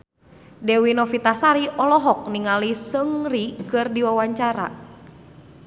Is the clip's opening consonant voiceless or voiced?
voiced